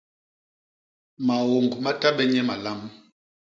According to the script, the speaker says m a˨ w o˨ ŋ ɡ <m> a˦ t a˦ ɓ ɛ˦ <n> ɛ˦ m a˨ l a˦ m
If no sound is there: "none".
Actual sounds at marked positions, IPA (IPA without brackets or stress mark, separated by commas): m, ɲ